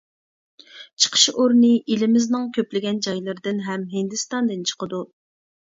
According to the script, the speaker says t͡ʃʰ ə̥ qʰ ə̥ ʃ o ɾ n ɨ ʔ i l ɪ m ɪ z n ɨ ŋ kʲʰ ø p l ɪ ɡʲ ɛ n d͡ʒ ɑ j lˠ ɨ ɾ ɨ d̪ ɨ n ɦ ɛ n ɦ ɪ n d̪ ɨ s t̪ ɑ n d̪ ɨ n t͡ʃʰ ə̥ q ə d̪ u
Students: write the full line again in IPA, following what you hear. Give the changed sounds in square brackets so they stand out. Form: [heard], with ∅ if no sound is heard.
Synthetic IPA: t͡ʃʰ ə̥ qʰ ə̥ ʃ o ɾ n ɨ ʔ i l ɪ m ɪ z n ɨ ŋ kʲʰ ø p l ɪ ɡʲ ɛ n d͡ʒ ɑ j lˠ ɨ ɾ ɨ d̪ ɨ n ɦ ɛ [m] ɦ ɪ n d̪ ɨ s t̪ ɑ n d̪ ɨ n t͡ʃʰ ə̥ q ə d̪ u